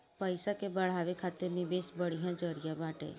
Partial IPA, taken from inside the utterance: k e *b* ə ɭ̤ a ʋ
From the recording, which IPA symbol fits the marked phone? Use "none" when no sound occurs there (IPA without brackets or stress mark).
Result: b